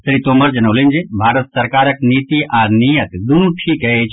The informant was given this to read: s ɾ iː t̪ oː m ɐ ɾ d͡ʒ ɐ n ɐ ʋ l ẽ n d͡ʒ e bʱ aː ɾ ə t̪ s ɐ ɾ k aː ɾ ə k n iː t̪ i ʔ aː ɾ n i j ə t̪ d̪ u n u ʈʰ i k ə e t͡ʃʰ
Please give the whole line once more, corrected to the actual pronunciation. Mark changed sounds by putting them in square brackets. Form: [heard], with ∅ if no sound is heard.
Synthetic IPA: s ɾ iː t̪ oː m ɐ ɾ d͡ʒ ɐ n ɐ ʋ l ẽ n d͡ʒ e bʱ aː ɾ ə t̪ s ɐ ɾ k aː ɾ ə k n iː t̪ i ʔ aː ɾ n i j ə t̪ d̪ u n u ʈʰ i k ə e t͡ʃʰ